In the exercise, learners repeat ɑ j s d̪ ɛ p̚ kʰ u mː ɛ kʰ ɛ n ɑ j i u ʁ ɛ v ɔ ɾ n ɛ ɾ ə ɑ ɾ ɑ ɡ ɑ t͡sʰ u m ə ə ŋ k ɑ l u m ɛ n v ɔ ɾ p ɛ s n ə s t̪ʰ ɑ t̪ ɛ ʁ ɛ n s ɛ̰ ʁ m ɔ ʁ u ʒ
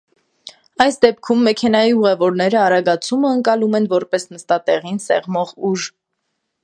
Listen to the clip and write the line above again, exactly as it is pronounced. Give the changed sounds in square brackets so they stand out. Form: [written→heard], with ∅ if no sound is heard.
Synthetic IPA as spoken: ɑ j s d̪ ɛ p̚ kʰ u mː ɛ kʰ ɛ n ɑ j i u ʁ ɛ v ɔ ɾ n ɛ ɾ ə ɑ ɾ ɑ ɡ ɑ t͡sʰ u m ə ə ŋ k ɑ l u m ɛ n v ɔ ɾ p ɛ s n ə s [t̪ʰ→t̪] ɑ t̪ ɛ ʁ [ɛ→i] n s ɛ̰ ʁ m ɔ ʁ u ʒ